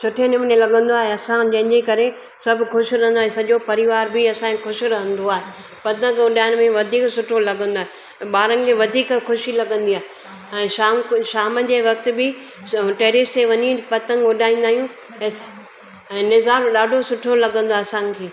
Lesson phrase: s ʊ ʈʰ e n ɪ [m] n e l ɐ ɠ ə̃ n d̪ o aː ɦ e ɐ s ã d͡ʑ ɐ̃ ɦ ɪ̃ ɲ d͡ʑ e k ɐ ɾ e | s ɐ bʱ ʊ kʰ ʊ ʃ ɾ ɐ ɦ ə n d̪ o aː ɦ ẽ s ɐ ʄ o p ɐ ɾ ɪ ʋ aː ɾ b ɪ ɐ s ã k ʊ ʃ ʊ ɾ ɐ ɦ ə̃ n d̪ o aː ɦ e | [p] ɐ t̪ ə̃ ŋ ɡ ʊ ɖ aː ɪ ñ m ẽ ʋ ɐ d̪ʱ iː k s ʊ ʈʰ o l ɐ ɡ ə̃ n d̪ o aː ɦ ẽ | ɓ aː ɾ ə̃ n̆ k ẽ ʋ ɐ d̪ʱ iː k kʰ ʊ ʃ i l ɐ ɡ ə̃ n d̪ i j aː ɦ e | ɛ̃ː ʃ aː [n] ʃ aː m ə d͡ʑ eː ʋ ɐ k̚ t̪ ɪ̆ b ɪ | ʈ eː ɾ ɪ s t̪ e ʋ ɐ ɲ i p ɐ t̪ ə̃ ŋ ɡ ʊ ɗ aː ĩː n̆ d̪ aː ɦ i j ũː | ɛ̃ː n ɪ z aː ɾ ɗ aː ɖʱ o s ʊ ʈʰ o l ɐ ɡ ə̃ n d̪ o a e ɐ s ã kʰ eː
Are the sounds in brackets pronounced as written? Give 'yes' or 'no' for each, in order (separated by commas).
yes, yes, no